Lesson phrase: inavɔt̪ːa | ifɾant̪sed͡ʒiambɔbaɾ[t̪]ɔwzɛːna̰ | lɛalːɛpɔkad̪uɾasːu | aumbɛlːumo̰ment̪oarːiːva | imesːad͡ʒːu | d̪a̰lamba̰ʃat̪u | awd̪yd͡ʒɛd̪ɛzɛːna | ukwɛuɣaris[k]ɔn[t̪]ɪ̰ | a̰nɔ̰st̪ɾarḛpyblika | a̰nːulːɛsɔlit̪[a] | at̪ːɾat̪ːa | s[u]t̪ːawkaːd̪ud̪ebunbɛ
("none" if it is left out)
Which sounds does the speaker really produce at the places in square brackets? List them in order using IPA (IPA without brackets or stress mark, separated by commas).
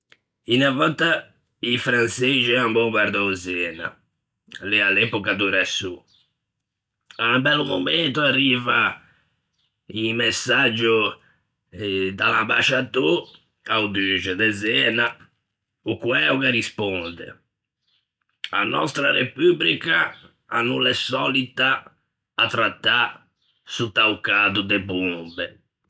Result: d̪, p, d̪, a, u